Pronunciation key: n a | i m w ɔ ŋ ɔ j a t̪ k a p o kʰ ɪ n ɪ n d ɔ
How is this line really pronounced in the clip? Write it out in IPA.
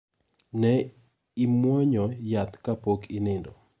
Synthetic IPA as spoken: n ɛ | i m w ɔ ɲ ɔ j a t̪ k a p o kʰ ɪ n ɪ n d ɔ